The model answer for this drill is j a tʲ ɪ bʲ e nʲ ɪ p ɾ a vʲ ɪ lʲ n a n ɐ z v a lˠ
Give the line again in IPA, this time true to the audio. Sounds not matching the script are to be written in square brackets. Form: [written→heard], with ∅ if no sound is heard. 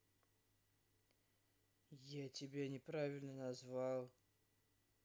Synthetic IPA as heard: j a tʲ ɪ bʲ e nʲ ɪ p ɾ a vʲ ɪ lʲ n [a→ə] n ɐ z v a lˠ